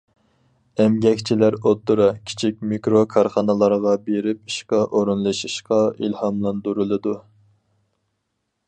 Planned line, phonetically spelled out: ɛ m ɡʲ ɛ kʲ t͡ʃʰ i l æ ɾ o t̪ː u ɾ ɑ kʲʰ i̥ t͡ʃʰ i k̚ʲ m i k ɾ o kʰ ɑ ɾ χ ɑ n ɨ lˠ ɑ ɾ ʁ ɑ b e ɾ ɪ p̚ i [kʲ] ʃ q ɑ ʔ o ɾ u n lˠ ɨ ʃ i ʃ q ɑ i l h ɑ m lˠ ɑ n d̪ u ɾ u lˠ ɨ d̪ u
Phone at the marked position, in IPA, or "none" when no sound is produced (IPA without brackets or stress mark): none